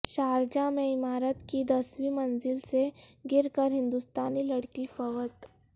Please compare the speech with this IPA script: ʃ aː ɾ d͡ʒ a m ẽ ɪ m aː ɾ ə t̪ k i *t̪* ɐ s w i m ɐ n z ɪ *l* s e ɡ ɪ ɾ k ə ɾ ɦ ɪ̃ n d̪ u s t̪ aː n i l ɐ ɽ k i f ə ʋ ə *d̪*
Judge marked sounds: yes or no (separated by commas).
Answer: no, yes, no